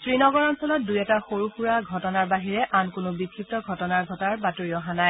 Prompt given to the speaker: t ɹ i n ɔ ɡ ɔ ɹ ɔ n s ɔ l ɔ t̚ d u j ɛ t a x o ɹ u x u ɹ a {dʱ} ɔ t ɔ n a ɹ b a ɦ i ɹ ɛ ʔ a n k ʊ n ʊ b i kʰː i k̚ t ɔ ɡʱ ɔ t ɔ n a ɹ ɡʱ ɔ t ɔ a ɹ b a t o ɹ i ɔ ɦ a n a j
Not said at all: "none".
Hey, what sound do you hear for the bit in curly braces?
ɡʱ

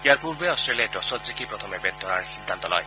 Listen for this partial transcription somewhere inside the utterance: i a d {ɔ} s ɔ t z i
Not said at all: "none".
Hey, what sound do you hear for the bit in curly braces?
ɔ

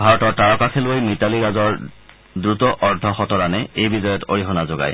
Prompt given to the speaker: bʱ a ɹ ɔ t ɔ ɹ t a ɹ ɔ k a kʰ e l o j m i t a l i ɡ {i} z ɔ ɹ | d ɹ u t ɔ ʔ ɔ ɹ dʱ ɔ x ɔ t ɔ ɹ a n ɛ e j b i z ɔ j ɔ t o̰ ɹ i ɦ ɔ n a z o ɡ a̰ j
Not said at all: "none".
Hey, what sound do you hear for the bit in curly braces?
a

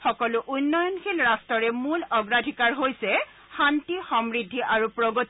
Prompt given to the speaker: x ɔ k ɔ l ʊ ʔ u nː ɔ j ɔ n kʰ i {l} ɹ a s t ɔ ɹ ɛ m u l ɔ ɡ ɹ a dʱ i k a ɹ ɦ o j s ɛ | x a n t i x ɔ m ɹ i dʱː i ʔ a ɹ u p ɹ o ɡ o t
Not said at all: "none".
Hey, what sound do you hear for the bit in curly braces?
l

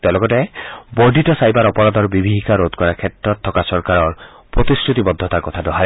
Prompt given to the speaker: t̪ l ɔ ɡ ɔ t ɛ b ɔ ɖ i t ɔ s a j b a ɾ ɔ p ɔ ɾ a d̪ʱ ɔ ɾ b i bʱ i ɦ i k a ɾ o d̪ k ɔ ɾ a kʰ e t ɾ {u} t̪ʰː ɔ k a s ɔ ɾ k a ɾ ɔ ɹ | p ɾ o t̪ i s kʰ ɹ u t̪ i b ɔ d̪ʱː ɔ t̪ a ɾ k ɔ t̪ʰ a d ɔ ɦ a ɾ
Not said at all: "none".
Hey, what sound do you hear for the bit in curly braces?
ɔ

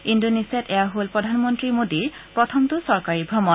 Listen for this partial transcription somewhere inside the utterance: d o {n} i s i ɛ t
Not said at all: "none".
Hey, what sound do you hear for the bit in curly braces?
n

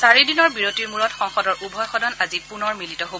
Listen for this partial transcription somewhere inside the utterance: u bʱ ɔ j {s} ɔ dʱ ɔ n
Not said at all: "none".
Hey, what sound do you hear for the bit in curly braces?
x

